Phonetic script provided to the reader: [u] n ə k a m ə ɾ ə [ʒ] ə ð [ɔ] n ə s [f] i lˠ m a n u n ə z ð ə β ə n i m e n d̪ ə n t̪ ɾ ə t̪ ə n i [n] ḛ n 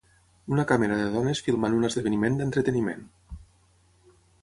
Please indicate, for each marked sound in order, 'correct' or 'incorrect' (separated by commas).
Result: correct, incorrect, correct, correct, incorrect